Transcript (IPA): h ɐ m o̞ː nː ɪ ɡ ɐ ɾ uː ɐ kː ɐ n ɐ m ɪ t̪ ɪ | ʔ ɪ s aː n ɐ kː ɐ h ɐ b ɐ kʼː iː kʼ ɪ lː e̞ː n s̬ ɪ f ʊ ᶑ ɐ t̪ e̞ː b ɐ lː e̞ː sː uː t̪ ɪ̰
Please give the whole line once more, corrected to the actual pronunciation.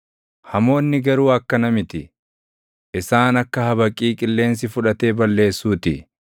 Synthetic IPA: h ɐ m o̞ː nː ɪ ɡ ɐ ɾ uː ɐ kː ɐ n ɐ m ɪ t̪ ɪ | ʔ ɪ s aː n ɐ kː ɐ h ɐ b ɐ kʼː iː kʼ ɪ lː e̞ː n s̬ ɪ f ʊ ᶑ ɐ t̪ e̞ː b ɐ lː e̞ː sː uː t̪ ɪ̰